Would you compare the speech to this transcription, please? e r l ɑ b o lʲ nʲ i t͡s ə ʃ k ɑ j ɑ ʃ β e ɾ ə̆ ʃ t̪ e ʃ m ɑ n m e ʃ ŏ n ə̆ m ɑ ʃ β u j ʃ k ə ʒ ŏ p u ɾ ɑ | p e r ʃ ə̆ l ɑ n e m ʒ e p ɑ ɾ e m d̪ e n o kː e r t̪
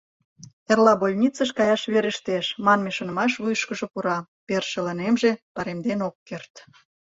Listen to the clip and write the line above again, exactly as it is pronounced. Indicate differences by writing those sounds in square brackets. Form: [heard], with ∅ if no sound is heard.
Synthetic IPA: e r l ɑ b o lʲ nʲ i t͡s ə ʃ k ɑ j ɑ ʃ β e ɾ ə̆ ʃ t̪ e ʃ m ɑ n m e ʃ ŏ n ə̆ m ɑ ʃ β u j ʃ k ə ʒ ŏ p u ɾ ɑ | p e r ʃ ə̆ l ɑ n e m ʒ e p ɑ ɾ e m d̪ e n o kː e r t̪